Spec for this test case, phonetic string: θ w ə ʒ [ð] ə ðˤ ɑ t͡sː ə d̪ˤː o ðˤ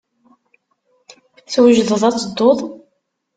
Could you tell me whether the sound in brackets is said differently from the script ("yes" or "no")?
no